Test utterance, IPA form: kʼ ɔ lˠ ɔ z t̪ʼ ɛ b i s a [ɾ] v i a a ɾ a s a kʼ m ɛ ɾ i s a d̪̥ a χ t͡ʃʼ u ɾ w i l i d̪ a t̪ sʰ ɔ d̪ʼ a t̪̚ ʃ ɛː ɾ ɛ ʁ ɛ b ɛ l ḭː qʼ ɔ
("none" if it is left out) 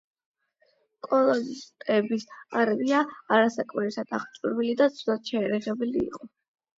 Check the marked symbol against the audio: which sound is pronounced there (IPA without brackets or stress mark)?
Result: ɾ